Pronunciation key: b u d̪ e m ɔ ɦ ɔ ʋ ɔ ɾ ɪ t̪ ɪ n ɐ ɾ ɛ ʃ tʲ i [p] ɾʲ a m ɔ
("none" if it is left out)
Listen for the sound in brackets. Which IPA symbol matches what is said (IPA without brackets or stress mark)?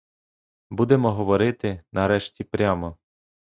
p